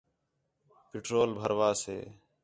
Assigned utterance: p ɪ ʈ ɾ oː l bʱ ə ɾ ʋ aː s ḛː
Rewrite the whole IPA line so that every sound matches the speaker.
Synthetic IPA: p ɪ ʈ ɾ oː l bʱ ə ɾ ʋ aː s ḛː